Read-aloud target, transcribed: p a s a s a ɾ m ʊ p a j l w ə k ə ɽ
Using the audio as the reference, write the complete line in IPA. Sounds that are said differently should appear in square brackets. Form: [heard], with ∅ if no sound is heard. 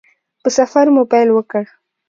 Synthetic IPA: p [ə] s a [f] a ɾ m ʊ p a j l w ə k ə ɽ